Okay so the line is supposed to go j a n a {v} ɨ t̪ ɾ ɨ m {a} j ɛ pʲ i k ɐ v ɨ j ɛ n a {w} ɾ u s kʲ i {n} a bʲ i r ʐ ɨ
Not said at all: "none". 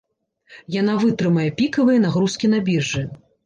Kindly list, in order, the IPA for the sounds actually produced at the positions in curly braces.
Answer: v, ɐ, ɣ, n

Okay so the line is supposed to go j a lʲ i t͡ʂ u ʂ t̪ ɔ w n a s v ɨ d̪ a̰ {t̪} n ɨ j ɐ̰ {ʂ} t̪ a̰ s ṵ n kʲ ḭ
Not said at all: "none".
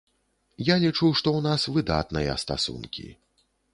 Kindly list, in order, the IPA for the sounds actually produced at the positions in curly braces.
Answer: t̪, s

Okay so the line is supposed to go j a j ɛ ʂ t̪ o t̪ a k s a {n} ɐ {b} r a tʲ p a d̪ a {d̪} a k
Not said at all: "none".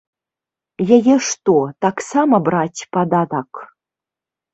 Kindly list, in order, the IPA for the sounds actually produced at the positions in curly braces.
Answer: m, b, d̪

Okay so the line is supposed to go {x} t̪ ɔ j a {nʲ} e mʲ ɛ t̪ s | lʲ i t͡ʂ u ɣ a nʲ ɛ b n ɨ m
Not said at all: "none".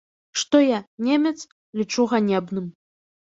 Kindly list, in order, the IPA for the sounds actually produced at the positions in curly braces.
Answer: ʂ, nʲ

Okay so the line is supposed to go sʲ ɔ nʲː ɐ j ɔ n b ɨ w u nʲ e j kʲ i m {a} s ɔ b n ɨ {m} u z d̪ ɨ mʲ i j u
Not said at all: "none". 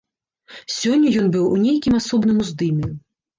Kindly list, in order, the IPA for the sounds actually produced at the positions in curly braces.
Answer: a, m

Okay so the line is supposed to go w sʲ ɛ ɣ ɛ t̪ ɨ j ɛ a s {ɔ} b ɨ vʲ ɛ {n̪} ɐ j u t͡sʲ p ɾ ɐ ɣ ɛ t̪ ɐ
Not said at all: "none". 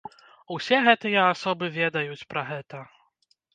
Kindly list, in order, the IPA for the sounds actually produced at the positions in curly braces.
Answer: ɔ, d̪

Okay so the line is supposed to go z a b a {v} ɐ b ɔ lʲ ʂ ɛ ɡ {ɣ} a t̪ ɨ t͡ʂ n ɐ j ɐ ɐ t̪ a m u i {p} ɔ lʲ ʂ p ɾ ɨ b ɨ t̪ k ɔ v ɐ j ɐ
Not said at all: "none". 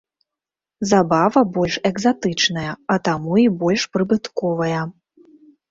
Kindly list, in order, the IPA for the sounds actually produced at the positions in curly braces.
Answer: v, z, b

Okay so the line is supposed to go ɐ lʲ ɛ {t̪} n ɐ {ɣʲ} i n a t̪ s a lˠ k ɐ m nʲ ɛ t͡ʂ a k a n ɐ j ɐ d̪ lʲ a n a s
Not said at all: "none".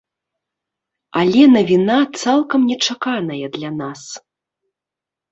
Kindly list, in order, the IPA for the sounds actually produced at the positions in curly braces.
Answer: none, vʲ

